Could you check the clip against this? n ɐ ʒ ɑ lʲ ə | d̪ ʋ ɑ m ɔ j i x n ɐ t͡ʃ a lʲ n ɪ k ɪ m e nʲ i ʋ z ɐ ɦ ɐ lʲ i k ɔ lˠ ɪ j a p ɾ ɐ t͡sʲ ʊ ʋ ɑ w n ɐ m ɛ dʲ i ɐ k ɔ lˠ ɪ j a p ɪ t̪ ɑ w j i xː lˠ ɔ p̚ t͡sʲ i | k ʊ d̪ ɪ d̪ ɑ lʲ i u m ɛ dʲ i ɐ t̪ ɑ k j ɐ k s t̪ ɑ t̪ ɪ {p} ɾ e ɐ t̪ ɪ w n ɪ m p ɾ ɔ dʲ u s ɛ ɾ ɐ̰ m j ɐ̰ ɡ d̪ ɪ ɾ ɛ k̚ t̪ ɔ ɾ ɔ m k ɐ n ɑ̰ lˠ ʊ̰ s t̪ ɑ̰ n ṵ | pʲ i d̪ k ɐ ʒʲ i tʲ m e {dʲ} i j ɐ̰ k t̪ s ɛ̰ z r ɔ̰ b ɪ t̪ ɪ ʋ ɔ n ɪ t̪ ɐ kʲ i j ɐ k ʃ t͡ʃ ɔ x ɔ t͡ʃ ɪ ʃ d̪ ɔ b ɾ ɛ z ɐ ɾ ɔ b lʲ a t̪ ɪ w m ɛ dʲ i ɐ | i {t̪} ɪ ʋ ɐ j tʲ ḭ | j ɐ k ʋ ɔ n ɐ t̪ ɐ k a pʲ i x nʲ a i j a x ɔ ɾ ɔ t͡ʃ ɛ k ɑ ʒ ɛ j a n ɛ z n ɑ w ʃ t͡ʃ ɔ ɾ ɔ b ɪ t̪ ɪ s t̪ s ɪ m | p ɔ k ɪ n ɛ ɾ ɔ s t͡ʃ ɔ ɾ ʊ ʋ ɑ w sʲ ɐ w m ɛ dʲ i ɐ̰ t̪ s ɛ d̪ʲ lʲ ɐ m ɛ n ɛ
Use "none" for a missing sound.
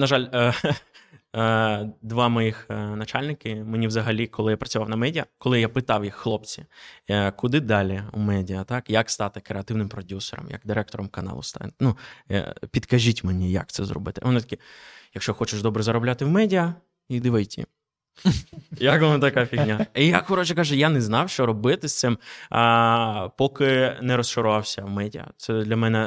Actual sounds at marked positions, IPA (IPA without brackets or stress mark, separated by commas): k, nʲ, d̪